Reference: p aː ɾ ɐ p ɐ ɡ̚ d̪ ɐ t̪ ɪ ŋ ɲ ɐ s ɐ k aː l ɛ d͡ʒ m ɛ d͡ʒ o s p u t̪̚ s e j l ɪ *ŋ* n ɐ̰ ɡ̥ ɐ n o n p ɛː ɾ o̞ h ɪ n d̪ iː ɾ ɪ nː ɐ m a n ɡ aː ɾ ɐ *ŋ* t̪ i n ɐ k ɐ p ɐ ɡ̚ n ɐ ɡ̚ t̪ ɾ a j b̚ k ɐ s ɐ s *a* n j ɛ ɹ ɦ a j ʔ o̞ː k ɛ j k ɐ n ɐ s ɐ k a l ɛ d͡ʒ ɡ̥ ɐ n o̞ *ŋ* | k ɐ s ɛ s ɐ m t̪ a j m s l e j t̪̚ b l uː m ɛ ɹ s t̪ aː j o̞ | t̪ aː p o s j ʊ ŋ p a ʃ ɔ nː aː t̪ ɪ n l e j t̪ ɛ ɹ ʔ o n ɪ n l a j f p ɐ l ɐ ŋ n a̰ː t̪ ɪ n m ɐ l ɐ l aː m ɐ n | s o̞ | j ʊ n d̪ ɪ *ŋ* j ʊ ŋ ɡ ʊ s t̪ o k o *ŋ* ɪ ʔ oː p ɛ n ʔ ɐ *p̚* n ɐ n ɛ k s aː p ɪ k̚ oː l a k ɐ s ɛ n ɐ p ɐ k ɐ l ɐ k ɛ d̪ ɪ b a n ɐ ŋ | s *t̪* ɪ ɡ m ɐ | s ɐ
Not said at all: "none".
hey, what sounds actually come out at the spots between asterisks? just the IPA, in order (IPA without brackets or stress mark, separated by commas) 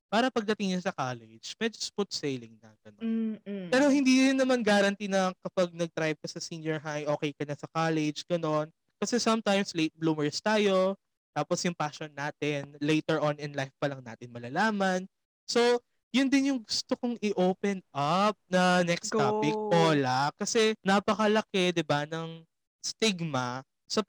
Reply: ŋ, n, i, n, n, ŋ, p̚, t̪